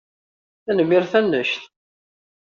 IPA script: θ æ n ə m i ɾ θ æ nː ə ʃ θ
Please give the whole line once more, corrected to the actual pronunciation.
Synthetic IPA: θ æ n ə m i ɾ θ æ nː ə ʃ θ